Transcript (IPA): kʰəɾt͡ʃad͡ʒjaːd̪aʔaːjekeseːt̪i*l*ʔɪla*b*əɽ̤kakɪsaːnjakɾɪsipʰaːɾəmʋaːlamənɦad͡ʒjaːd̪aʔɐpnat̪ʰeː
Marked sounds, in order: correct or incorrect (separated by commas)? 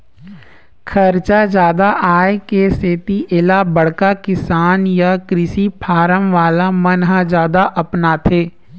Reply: incorrect, correct